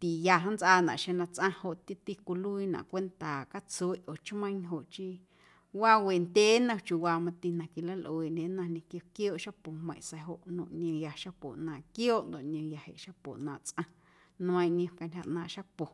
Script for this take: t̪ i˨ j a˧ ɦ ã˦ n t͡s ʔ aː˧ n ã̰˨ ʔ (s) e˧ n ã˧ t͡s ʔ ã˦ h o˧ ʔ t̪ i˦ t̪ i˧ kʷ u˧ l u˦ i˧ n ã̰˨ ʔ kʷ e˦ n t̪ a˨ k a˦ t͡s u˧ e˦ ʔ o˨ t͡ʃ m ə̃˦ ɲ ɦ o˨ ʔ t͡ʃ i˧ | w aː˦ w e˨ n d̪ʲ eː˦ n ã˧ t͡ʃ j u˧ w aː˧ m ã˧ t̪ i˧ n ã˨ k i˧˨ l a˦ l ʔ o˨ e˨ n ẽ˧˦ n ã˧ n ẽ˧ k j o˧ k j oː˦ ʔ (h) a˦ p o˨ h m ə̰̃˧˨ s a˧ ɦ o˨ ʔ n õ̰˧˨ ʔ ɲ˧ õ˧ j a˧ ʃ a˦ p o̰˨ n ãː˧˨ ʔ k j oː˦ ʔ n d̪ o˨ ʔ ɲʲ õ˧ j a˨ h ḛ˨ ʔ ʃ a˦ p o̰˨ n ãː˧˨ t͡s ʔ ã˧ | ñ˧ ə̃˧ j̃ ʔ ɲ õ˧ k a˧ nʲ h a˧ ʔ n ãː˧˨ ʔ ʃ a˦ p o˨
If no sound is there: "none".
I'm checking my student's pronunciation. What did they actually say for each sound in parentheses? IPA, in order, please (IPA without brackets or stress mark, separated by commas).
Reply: ʃ, ʃ